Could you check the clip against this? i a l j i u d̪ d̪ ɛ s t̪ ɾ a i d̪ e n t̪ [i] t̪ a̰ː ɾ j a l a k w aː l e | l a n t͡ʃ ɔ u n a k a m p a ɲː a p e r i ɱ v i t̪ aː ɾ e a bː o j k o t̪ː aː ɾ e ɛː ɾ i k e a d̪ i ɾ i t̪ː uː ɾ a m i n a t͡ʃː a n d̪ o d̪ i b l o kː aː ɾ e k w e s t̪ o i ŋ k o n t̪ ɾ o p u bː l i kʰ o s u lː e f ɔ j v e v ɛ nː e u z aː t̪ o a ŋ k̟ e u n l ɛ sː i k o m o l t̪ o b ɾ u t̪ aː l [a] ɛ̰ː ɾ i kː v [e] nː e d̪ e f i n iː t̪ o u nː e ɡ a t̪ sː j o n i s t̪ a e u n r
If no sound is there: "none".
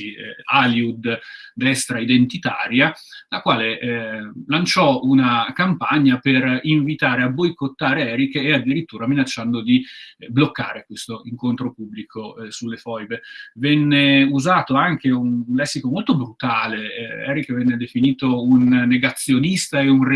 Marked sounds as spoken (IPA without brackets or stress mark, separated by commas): i, e, ɛ